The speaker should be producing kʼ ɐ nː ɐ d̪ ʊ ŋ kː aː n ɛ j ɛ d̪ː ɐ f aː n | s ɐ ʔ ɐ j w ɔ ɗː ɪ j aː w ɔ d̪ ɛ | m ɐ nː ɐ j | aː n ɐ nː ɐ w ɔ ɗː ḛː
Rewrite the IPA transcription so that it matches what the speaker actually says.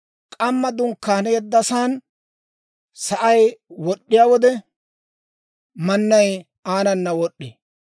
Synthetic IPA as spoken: kʼ ɐ mː ɐ d̪ ʊ ŋ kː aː n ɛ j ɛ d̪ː ɐ s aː n | s ɐ ʔ ɐ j w ɔ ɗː ɪ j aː w ɔ d̪ ɛ | m ɐ nː ɐ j | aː n ɐ nː ɐ w ɔ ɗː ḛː

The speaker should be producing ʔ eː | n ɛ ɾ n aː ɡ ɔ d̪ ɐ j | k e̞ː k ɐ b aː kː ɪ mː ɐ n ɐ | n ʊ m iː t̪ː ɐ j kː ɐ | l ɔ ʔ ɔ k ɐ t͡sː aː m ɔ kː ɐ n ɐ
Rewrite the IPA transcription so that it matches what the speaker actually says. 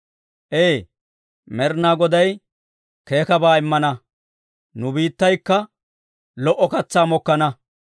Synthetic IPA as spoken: ʔ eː | m ɛ ɾ n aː ɡ ɔ d̪ ɐ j | k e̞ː k ɐ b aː ɪ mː ɐ n ɐ | n ʊ b iː t̪ː ɐ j kː ɐ | l ɔ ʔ ɔ k ɐ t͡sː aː m ɔ kː ɐ n ɐ

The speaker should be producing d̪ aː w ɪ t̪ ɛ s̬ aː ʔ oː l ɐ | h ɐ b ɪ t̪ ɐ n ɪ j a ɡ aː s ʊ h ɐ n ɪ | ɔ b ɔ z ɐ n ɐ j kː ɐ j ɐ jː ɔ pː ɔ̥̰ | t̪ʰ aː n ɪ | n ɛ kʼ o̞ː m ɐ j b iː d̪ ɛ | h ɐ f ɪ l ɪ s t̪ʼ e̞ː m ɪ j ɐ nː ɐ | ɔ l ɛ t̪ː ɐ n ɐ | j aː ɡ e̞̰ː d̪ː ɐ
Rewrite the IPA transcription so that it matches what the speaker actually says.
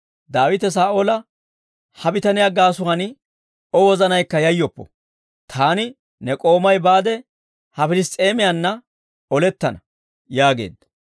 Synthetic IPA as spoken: d̪ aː w ɪ t̪ ɛ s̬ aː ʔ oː l ɐ | h ɐ b ɪ t̪ ɐ n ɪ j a ɡ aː s ʊ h ɐ n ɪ | ɔ w ɔ z ɐ n ɐ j kː ɐ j ɐ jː ɔ pː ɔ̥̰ | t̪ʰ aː n ɪ | n ɛ kʼ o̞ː m ɐ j b aː d̪ ɛ | h ɐ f ɪ l ɪ s t̪ʼ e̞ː m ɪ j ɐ nː ɐ | ɔ l ɛ t̪ː ɐ n ɐ | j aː ɡ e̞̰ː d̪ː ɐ

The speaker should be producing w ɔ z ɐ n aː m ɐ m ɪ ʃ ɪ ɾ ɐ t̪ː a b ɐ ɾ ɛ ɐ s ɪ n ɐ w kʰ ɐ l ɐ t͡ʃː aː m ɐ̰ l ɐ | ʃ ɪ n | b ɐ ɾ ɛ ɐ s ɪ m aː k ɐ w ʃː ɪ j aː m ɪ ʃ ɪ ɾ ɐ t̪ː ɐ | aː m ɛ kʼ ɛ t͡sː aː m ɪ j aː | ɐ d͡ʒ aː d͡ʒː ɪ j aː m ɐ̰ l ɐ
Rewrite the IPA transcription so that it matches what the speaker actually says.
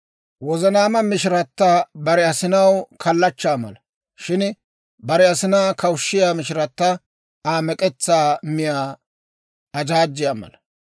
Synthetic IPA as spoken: w ɔ z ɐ n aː m ɐ m ɪ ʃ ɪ ɾ ɐ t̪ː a b ɐ ɾ ɛ ɐ s ɪ n ɐ w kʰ ɐ lː ɐ t͡ʃː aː m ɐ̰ l ɐ | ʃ ɪ n | b ɐ ɾ ɛ ɐ s ɪ n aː k ɐ w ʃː ɪ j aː m ɪ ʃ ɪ ɾ ɐ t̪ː ɐ | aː m ɛ kʼ ɛ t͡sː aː m ɪ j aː | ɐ d͡ʒ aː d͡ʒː ɪ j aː m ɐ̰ l ɐ

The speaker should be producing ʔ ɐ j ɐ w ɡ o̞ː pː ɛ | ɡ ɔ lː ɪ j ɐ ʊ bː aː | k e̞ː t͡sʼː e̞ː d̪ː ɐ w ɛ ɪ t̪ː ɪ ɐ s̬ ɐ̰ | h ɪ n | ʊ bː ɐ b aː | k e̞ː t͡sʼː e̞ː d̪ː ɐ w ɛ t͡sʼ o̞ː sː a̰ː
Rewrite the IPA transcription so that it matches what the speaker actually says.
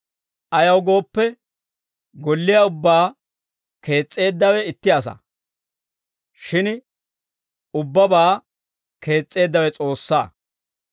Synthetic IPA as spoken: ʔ ɐ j ɐ w ɡ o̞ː pː ɛ | ɡ ɔ lː ɪ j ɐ ʊ bː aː | k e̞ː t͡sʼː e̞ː d̪ː ɐ w ɛ ɪ t̪ː ɪ ɐ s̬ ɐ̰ | ʃ ɪ n | ʊ bː ɐ b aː | k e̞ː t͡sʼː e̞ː d̪ː ɐ w ɛ t͡sʼ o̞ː sː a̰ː

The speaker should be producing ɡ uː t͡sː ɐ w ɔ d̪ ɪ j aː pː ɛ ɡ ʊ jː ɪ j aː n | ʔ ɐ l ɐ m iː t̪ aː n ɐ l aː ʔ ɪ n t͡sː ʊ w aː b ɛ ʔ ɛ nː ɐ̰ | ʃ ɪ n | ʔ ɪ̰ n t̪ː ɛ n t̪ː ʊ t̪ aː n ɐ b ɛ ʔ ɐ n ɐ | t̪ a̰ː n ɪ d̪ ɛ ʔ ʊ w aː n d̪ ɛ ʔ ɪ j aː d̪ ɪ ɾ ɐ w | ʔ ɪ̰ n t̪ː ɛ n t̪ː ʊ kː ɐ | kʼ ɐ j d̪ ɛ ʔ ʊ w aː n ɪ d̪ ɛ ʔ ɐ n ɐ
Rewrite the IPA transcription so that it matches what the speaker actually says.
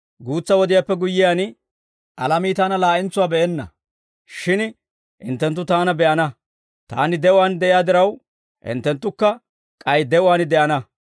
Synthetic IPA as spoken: ɡ uː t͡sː ɐ w ɔ d̪ ɪ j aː pː ɛ ɡ ʊ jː ɪ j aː n | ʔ ɐ l ɐ m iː t̪ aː n ɐ l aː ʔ ɪ n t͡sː ʊ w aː b ɛ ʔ ɛ nː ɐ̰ | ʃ ɪ n | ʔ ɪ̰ n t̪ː ɛ n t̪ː ʊ t̪ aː n ɐ b ɛ ʔ ɐ n ɐ | t̪ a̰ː n ɪ d̪ ɛ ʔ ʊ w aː n d̪ ɛ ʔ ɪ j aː d̪ ɪ ɾ ɐ w | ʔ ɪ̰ n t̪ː ɛ n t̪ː ʊ kː ɐ | kʼ ɐ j d̪ ɛ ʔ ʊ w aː n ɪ d̪ ɛ ʔ ɐ n ɐ

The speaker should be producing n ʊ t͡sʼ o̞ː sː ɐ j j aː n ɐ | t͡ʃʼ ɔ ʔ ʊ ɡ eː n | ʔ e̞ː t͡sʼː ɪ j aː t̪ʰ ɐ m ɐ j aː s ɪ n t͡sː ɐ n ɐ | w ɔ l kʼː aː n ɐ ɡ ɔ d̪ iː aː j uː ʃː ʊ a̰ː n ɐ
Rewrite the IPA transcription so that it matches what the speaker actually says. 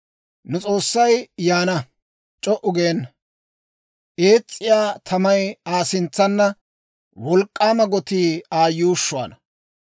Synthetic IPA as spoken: n ʊ t͡sʼ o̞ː sː ɐ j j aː n ɐ | t͡ʃʼ ɔ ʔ ʊ ɡ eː n | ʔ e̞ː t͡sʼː ɪ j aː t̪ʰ ɐ m ɐ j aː s ɪ n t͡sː ɐ nː ɐ | w ɔ l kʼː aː m ɐ ɡ ɔ t̪ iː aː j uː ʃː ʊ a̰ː n ɐ

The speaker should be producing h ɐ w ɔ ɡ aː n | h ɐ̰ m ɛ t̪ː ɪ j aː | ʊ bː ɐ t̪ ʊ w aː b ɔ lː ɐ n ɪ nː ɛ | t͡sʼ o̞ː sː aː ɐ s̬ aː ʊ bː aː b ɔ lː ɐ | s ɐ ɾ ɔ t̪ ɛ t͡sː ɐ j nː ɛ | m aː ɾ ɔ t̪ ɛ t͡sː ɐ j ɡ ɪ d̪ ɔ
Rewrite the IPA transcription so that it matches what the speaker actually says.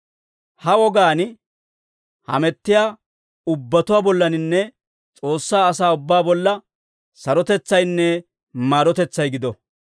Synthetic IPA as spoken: h ɐ w ɔ ɡ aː n | h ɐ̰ m ɛ t̪ː ɪ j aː | ʊ bː ɐ t̪ ʊ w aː b ɔ lː ɐ n ɪ nː ɛ | t͡sʼ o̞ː sː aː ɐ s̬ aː ʊ bː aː b ɔ lː ɐ | s ɐ ɾ ɔ t̪ ɛ t͡sː ɐ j nː ɛ | m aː ɾ ɔ t̪ ɛ t͡sː ɐ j ɡ ɪ d̪ ɔ

